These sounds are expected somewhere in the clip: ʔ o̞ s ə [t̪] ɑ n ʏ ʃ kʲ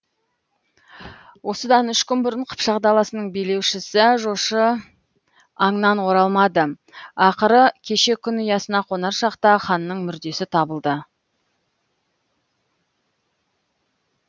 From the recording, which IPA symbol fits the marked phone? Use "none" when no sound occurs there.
d̪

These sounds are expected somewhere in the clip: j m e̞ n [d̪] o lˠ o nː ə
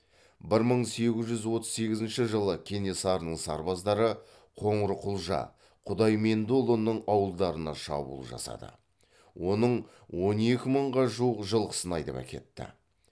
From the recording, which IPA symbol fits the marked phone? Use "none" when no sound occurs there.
d̪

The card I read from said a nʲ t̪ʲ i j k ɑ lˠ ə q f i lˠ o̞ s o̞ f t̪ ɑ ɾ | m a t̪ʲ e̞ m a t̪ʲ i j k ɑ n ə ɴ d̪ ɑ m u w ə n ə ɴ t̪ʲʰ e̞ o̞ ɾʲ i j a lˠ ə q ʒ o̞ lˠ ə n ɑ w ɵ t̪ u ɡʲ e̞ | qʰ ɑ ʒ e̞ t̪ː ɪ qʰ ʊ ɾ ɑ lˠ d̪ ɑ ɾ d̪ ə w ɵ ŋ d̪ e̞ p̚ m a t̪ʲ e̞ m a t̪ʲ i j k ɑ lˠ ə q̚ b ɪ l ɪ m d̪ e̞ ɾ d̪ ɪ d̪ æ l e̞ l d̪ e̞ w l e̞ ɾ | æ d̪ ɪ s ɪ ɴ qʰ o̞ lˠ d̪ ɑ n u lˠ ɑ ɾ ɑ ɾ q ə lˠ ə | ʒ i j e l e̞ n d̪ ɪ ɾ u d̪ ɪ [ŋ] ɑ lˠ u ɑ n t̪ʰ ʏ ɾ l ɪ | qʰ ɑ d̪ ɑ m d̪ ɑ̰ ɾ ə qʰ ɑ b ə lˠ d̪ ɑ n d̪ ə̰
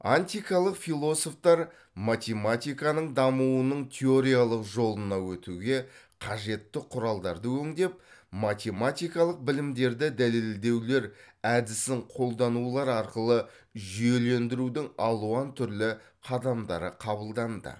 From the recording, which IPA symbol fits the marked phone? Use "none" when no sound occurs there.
ŋ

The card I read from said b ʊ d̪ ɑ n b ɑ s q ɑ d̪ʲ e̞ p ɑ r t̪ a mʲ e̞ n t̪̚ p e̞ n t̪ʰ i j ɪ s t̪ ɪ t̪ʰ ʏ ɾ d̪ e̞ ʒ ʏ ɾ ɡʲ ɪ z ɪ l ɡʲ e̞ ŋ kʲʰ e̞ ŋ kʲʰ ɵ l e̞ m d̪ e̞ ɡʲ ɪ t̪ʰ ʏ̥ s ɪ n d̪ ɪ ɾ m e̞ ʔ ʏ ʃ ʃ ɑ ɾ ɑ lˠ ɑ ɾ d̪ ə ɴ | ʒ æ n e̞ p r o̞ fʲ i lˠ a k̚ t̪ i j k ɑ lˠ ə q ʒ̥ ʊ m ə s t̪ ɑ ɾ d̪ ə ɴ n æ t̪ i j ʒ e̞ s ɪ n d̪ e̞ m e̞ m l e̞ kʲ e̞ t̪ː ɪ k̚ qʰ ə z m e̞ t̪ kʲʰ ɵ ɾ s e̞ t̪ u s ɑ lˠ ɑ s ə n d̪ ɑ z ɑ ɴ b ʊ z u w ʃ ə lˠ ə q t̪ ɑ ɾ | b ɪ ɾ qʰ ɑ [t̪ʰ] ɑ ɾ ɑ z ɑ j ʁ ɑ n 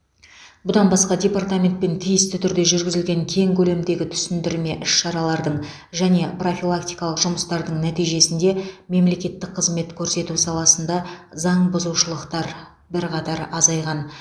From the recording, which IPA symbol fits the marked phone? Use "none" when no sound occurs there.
t̪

